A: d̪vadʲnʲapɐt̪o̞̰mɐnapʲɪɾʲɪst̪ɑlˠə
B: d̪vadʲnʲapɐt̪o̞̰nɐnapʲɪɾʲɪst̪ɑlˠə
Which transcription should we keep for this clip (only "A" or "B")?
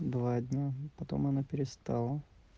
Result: A